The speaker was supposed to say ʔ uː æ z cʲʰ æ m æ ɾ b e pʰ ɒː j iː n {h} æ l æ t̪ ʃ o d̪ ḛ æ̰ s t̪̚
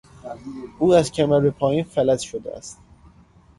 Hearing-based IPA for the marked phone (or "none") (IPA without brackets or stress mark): f